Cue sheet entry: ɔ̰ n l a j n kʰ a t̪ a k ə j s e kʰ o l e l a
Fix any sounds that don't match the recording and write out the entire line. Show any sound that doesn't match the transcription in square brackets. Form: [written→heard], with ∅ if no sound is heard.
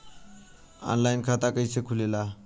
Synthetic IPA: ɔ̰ n l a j n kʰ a t̪ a k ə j s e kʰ [o→u] l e l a